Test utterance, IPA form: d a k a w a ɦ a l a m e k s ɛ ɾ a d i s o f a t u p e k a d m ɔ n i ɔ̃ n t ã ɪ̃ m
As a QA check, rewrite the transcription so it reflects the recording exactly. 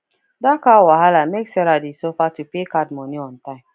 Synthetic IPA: d a k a w a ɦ a l a m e k s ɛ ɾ a d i s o f a t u p e k a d m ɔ n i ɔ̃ n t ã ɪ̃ m